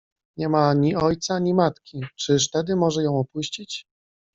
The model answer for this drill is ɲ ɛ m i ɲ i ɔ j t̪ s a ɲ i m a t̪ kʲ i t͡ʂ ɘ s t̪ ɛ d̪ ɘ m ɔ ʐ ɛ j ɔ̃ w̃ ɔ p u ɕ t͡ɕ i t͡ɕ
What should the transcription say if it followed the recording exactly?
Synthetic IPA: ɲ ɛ m a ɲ i ɔ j t̪ s a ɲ i m a t̪ kʲ i t͡ʂ ɘ ʂ t̪ ɛ d̪ ɘ m ɔ ʐ ɛ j ɔ̃ w̃ ɔ p u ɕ t͡ɕ i t͡ɕ